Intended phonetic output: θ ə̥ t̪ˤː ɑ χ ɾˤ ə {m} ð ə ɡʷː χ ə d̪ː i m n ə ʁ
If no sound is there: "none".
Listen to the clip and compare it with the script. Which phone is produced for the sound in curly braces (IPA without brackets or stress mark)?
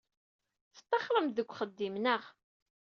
m